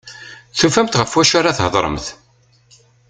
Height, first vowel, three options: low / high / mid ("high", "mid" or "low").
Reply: high